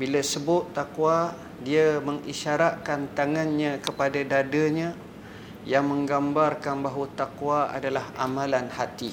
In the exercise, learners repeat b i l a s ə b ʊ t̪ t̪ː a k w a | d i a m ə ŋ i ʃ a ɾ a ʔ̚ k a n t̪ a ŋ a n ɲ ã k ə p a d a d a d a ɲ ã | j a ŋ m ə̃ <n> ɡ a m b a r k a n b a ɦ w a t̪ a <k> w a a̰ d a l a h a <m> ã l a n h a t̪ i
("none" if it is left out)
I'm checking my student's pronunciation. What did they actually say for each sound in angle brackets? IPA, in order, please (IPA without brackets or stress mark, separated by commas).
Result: ŋ, k, m